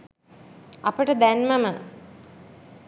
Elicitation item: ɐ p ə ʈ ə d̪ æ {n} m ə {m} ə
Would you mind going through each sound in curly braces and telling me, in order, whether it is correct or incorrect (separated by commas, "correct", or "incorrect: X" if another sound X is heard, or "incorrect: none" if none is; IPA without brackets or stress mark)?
correct, correct